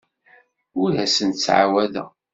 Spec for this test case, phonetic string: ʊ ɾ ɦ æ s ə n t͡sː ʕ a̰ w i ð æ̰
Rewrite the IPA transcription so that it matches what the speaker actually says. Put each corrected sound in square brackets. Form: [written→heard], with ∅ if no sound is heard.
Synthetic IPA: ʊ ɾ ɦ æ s ə n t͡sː ʕ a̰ w [i→æ] ð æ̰